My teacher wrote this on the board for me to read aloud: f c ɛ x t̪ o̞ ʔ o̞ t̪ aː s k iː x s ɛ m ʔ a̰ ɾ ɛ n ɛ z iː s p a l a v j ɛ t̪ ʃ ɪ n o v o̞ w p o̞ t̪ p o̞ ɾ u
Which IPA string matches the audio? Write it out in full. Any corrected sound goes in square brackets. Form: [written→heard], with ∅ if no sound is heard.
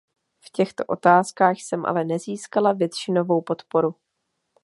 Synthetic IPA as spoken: f c ɛ x t̪ o̞ ʔ o̞ t̪ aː s k [iː→aː] x s ɛ m ʔ a̰ [ɾ→l] ɛ n ɛ z iː s [p→k] a l a v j ɛ t̪ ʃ ɪ n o v o̞ w p o̞ t̪ p o̞ ɾ u